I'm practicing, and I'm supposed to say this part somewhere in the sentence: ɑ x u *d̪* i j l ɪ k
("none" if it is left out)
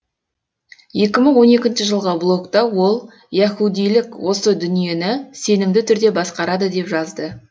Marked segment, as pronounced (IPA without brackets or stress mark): d̪